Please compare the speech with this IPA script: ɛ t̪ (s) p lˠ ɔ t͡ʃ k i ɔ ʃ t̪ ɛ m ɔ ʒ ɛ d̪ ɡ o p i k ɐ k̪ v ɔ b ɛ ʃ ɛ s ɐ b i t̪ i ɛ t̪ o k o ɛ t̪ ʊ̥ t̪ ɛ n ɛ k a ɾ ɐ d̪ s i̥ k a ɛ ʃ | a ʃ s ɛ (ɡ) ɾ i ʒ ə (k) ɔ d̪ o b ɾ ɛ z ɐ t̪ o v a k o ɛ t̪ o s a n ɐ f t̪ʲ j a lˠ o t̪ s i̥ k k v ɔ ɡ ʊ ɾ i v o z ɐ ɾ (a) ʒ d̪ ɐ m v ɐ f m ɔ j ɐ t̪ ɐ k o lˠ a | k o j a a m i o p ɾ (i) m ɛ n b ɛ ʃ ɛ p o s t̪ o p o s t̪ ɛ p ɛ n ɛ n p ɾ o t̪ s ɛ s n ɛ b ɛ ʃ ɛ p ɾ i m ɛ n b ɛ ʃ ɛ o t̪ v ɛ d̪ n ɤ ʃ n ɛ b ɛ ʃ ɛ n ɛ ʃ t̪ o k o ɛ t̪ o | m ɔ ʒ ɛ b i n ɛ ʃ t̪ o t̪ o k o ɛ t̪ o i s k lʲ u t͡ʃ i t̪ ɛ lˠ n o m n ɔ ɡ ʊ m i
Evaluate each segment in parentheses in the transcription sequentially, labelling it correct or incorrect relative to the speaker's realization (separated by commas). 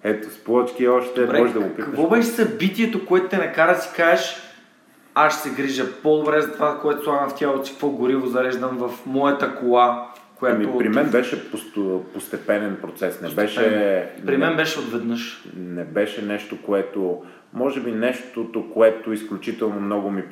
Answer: correct, correct, incorrect, incorrect, correct